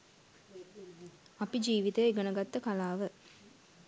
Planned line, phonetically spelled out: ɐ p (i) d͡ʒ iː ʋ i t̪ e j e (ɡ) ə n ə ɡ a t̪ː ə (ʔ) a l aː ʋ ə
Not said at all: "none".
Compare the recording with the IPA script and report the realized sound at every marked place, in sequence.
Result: i, ɡ, k

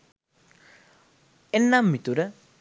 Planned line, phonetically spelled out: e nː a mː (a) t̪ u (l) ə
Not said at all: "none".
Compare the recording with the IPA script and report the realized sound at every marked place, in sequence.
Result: i, ɾ

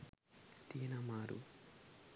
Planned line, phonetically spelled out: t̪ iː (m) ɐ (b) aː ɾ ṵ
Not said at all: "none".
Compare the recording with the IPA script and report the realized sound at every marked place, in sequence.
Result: n, m

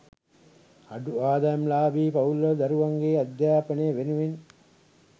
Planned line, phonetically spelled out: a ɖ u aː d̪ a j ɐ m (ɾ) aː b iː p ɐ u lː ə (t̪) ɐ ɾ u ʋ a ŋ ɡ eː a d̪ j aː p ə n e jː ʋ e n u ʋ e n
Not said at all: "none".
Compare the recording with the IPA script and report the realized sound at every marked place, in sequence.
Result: l, d̪

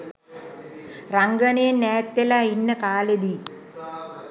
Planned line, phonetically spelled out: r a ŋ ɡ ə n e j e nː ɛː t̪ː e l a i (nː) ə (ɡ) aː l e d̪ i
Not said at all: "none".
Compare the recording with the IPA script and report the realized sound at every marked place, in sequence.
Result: nː, k

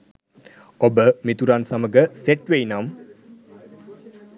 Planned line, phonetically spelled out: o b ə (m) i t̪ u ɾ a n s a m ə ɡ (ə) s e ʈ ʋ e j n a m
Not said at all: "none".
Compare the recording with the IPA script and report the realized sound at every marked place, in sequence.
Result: m, ə

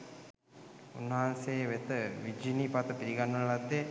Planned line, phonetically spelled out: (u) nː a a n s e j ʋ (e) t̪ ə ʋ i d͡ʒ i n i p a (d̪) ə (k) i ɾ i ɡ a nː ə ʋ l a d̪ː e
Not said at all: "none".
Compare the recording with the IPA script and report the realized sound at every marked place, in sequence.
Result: u, e, t̪, p

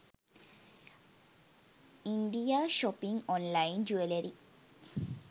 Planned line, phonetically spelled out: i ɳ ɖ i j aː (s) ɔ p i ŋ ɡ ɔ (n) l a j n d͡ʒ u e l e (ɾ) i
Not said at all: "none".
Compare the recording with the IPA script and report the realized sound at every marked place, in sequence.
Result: ʃ, n, ɾ

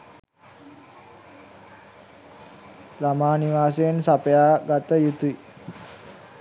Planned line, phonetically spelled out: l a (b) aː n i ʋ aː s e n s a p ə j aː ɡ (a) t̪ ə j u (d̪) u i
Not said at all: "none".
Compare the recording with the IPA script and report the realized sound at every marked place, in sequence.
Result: m, a, t̪

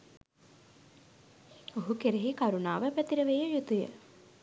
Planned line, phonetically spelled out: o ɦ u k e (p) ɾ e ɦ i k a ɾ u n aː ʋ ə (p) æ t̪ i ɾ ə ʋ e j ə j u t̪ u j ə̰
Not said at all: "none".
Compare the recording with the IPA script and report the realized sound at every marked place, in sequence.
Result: none, p

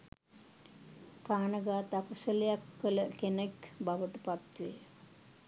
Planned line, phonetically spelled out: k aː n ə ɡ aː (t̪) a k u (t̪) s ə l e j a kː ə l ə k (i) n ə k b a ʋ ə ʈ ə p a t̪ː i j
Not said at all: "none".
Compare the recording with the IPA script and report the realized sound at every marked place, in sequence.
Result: t̪, none, e

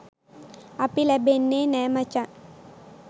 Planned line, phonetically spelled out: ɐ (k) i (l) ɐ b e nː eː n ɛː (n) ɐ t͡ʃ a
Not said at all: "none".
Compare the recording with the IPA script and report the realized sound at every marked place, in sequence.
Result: p, l, m

